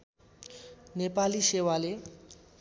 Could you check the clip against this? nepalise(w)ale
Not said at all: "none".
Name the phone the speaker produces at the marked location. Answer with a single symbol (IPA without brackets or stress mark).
w